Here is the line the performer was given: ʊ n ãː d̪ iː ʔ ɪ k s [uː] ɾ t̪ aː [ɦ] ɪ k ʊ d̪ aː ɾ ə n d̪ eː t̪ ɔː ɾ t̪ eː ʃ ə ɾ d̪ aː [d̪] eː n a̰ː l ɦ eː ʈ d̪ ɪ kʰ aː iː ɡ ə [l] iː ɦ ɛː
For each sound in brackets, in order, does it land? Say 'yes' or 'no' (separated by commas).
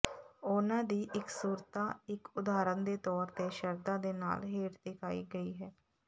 yes, no, yes, no